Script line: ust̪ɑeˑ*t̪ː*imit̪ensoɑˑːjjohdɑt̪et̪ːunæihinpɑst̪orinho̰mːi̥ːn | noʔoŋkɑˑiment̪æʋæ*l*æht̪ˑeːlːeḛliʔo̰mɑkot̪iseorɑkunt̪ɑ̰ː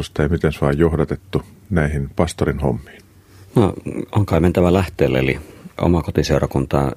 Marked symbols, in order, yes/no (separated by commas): no, yes